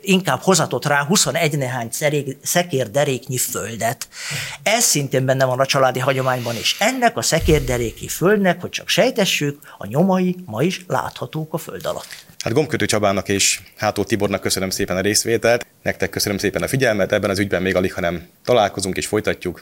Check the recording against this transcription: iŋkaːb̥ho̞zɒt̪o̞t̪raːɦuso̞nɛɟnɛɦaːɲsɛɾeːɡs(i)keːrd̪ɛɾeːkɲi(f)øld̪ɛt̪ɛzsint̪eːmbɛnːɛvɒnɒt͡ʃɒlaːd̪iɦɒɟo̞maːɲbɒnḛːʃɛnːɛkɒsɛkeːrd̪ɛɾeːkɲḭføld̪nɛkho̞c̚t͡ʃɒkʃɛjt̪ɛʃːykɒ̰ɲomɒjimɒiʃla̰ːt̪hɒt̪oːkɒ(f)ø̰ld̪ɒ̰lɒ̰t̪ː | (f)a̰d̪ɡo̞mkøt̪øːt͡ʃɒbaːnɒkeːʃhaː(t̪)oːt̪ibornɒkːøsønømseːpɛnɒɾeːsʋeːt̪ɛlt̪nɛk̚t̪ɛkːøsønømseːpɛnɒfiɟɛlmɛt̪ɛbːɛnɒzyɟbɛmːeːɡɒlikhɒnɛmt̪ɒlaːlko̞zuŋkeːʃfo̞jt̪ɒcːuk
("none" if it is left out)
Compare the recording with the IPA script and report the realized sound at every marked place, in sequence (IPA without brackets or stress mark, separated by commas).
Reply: ɛ, f, f, h, t̪